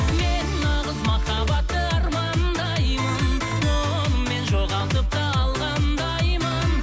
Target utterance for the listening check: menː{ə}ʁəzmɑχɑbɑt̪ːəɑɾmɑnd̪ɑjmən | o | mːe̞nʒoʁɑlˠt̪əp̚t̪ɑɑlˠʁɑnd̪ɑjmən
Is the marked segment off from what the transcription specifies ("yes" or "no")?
yes